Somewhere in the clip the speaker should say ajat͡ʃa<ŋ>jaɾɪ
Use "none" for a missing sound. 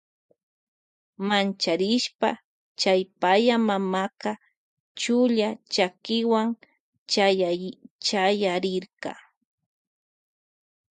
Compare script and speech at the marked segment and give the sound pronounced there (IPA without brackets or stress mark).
none